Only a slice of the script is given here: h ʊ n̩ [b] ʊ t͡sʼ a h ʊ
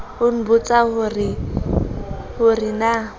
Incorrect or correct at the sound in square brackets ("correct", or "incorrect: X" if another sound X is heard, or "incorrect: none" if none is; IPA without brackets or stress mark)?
correct